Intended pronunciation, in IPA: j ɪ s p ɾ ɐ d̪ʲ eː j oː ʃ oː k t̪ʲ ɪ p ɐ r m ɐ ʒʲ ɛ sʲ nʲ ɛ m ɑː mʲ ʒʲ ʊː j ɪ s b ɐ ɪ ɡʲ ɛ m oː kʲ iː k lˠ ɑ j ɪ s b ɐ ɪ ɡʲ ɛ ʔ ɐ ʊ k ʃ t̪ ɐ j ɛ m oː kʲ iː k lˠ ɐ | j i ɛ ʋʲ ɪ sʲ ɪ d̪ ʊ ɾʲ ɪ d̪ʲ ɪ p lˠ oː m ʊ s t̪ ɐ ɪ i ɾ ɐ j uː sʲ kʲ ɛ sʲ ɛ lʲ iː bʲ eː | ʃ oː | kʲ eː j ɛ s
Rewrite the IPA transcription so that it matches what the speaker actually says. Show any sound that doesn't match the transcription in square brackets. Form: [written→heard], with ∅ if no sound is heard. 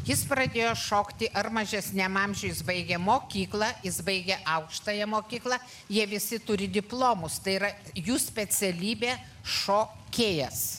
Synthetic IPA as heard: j ɪ s p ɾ ɐ d̪ʲ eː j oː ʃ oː k t̪ʲ ɪ [p→ʔ] ɐ r m ɐ ʒʲ ɛ sʲ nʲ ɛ m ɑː mʲ ʒʲ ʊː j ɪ s b ɐ ɪ ɡʲ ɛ m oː kʲ iː k lˠ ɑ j ɪ s b ɐ ɪ ɡʲ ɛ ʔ ɐ ʊ k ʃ t̪ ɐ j ɛ m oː kʲ iː k lˠ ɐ | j i ɛ ʋʲ ɪ sʲ ɪ [d̪→t̪] ʊ ɾʲ ɪ d̪ʲ ɪ p lˠ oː m ʊ s t̪ ɐ ɪ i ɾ ɐ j uː sʲ [kʲ→pʲ] ɛ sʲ ɛ lʲ iː bʲ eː | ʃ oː | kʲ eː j ɛ s